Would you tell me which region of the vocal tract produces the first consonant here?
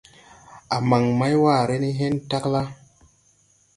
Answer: lips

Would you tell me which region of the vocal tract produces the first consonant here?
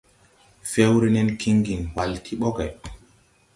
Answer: lips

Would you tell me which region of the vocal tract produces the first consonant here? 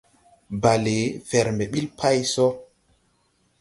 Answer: lips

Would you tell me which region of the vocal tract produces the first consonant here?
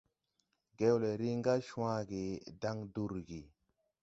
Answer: velum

